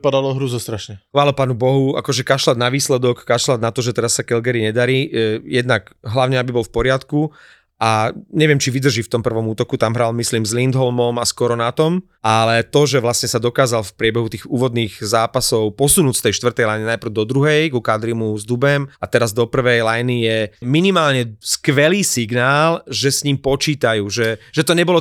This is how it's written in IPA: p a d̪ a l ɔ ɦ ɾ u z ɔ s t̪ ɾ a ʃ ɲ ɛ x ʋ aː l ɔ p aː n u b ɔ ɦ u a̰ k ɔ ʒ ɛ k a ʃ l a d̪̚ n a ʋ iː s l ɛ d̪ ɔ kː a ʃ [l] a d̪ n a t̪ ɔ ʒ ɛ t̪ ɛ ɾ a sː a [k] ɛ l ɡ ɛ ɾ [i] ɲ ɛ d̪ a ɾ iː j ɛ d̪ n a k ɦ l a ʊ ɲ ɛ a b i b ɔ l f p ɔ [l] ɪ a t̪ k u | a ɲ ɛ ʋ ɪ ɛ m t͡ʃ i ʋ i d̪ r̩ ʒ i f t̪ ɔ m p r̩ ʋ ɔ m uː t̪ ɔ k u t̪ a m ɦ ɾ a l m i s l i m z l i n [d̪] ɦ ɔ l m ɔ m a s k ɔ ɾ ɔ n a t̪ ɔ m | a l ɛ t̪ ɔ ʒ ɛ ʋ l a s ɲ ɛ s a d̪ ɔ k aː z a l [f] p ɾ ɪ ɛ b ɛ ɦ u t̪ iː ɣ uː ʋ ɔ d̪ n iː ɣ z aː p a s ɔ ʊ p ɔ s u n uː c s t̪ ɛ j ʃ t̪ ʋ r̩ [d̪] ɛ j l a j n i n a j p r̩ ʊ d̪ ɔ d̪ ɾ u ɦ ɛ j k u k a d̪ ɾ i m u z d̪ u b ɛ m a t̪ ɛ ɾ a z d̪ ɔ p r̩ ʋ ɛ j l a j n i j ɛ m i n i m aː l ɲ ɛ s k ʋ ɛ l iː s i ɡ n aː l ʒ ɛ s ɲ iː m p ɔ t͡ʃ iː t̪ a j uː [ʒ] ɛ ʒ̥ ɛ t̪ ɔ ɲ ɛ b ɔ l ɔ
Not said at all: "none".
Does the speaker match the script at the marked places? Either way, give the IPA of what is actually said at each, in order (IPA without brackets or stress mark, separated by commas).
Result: l, k, i, ɾ, d̪, f, t̪, ʒ